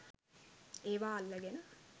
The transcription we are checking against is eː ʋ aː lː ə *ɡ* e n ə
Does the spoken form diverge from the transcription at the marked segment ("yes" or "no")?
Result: no